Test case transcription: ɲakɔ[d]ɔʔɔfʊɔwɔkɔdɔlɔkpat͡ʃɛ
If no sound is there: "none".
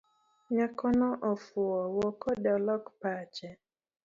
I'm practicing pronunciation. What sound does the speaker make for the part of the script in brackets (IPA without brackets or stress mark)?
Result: n